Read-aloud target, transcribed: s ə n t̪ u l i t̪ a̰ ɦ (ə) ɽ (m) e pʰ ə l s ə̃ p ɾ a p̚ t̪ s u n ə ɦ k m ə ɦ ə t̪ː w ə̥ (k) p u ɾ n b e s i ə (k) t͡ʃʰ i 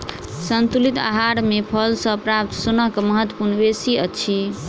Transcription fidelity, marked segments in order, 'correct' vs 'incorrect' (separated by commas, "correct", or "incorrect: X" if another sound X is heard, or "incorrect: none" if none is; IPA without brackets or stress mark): incorrect: a, correct, incorrect: none, incorrect: none